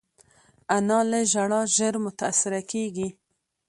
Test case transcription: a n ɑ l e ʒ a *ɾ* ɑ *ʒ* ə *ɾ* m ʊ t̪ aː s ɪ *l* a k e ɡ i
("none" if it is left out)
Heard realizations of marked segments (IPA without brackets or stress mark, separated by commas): ɽ, ʒ, ɾ, ɾ